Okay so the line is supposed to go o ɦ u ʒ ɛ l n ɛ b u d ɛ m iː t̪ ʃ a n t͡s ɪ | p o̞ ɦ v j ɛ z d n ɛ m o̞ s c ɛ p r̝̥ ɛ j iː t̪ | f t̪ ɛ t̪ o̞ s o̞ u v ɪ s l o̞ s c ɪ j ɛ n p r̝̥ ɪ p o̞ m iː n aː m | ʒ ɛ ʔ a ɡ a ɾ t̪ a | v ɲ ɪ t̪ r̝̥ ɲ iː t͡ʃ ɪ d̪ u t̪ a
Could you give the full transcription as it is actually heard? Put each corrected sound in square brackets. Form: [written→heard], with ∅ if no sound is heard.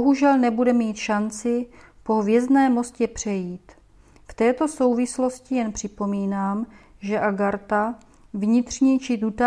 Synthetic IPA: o ɦ u ʒ ɛ l n ɛ b u d ɛ m iː t̪ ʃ a n t͡s ɪ | p o̞ ɦ v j ɛ z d n [ɛ→ɛː] m o̞ s c ɛ p r̝̥ ɛ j iː t̪ | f t̪ [ɛ→ɛː] t̪ o̞ s o̞ [u→w] v ɪ s l o̞ s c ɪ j ɛ n p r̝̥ ɪ p o̞ m iː n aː m | ʒ ɛ ʔ a ɡ a ɾ t̪ a | v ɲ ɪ t̪ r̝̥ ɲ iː t͡ʃ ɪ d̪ u t̪ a